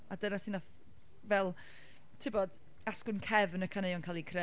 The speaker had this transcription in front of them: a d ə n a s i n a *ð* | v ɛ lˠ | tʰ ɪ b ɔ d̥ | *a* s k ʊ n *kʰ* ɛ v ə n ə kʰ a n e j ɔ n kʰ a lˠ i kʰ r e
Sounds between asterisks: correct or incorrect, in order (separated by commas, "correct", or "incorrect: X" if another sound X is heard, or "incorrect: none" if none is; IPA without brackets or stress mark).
incorrect: θ, correct, correct